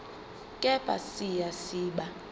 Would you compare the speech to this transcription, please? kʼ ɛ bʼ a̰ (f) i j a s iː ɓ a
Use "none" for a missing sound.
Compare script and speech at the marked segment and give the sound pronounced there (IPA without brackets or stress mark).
s